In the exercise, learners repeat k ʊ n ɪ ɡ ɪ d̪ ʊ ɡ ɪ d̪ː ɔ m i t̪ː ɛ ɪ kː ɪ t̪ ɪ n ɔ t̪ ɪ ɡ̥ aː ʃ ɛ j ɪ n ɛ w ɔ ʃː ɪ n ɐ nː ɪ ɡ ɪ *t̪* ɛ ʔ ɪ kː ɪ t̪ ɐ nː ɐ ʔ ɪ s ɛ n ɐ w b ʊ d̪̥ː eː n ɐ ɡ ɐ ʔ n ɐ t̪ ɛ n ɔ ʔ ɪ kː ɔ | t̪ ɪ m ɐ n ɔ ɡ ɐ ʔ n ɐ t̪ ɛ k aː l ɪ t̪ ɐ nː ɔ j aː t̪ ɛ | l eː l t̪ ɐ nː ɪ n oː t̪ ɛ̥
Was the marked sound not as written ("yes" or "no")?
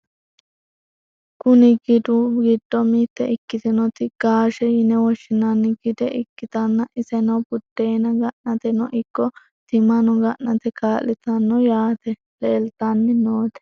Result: yes